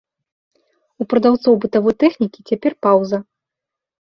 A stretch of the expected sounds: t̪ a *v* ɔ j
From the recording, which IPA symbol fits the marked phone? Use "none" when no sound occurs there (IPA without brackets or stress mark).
v